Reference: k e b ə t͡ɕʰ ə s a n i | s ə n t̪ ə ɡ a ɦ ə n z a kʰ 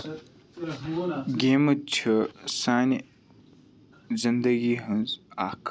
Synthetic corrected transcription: ɡ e m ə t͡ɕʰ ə s a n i | z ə n d̪ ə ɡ i ɦ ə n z a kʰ